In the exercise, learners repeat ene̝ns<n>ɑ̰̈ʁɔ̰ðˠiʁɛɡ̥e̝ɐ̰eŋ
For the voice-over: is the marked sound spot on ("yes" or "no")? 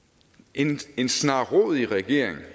yes